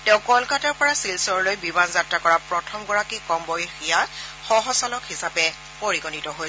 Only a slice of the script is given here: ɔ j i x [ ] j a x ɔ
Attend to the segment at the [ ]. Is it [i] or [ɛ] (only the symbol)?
i